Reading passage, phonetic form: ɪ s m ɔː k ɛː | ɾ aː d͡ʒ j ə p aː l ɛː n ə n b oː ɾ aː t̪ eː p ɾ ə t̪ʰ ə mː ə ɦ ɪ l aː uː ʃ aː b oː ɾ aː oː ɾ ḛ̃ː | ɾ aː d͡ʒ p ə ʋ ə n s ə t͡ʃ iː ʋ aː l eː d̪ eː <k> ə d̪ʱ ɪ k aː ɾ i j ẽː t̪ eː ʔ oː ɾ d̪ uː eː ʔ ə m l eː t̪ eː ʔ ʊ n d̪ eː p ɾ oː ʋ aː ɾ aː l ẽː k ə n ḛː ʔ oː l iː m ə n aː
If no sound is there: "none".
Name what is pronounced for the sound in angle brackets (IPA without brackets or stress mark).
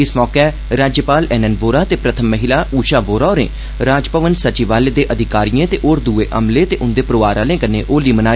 ʔ